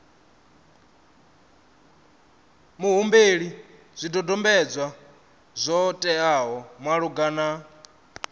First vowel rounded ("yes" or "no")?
yes